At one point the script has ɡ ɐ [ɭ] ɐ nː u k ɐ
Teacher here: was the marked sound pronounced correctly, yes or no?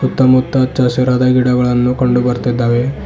yes